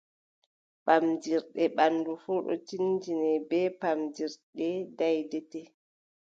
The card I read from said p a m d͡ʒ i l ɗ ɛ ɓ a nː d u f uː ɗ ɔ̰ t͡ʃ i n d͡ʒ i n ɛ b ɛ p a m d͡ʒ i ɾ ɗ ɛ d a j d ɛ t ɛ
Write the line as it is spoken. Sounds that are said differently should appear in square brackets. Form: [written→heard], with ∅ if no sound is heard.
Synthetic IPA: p a m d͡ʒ i [l→ɾ] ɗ ɛ ɓ a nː d u f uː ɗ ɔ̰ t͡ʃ i n d͡ʒ i n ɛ b ɛ p a m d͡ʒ i ɾ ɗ ɛ d a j d ɛ t ɛ